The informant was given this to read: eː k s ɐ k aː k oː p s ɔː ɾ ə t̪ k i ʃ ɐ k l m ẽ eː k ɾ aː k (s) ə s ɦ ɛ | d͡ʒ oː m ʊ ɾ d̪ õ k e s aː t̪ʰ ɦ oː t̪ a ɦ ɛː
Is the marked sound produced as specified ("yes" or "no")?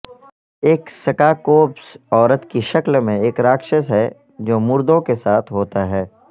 no